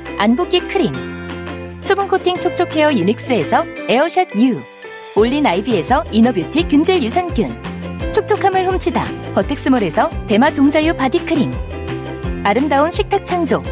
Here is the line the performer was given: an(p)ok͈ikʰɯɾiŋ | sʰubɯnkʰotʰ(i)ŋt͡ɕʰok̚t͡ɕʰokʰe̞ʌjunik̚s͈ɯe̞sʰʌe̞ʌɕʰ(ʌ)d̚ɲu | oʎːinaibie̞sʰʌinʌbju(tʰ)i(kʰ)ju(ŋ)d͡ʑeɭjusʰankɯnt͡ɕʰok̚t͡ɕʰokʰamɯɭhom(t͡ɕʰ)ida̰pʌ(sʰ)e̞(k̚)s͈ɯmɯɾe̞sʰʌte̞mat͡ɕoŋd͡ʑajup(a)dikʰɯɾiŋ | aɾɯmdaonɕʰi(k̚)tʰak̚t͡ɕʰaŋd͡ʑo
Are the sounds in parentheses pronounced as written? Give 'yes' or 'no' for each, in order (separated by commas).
no, yes, no, yes, no, no, yes, no, yes, yes, yes